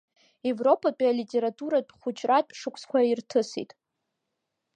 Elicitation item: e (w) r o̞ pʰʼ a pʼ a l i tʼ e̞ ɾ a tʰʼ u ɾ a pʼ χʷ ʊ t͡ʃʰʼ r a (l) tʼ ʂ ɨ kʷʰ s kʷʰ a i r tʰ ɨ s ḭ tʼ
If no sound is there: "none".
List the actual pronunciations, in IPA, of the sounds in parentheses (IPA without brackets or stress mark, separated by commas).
v, none